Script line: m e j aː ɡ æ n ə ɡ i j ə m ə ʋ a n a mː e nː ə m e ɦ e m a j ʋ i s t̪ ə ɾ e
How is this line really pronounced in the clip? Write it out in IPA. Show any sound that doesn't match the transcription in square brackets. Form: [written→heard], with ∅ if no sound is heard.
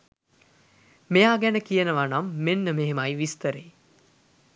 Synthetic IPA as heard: m e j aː ɡ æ n ə [ɡ→k] i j ə [m→n] ə ʋ a n a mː e nː ə m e ɦ e m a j ʋ i s t̪ ə ɾ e